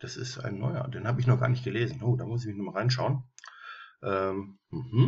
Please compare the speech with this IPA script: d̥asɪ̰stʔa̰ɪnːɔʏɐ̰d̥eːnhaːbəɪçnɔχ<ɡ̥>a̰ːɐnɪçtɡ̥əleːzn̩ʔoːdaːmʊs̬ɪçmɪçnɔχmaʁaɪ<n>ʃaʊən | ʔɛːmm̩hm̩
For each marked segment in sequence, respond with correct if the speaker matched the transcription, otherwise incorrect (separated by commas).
correct, correct